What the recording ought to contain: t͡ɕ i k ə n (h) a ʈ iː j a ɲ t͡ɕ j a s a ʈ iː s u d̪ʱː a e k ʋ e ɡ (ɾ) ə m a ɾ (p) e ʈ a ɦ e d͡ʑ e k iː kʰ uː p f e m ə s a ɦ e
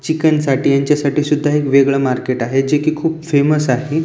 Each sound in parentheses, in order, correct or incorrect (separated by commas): incorrect, incorrect, incorrect